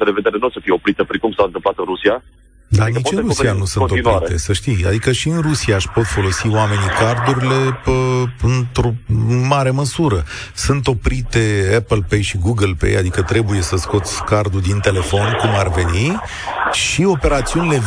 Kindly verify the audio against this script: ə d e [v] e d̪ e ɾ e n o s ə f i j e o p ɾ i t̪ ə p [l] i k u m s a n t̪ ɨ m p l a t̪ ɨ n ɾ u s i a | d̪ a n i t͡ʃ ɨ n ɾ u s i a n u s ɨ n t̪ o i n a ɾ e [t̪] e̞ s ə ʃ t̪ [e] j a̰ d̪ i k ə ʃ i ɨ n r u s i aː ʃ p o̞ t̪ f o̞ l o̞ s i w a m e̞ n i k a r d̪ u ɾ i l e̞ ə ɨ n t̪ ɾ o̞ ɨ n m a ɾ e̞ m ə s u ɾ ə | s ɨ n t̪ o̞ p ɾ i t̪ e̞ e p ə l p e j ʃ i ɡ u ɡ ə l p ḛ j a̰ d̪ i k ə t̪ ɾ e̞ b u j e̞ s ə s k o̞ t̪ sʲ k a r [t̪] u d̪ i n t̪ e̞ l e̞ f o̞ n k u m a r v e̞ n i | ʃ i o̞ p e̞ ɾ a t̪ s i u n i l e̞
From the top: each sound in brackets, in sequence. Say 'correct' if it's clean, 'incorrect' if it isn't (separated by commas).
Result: correct, incorrect, correct, incorrect, incorrect